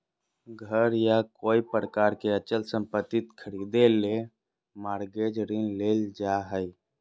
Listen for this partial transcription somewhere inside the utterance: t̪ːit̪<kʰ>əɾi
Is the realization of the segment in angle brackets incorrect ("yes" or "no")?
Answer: no